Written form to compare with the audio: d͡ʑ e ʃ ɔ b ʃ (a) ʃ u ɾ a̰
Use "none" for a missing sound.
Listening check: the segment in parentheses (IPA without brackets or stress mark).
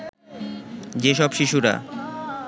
i